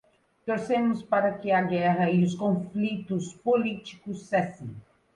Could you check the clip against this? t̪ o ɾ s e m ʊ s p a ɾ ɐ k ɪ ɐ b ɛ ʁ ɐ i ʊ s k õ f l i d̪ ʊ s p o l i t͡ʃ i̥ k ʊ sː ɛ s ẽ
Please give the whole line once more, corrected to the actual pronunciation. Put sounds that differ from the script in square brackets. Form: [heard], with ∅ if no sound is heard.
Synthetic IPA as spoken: t̪ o ɾ s e m ʊ s p a ɾ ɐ k ɪ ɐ [ɡ] ɛ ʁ ɐ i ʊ s k õ f l i [t̪] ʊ s p o l i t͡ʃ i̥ k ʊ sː ɛ s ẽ